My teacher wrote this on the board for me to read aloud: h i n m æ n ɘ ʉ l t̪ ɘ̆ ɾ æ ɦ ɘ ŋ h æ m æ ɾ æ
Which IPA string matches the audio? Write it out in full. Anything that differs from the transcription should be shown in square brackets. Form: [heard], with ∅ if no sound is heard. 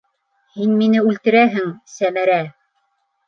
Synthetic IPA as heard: h i n m [i] n ɘ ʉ l t̪ ɘ̆ ɾ æ ɦ ɘ ŋ [s] æ m æ ɾ æ